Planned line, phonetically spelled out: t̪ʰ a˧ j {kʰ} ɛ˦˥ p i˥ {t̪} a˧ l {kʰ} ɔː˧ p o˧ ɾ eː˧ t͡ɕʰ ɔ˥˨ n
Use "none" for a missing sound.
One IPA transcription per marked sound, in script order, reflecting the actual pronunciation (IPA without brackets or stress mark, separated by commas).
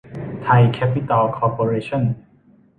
kʰ, t̪, kʰ